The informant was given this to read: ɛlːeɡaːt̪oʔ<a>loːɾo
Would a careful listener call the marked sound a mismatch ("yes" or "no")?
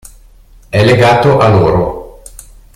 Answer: no